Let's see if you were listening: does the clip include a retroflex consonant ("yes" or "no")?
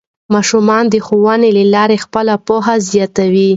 no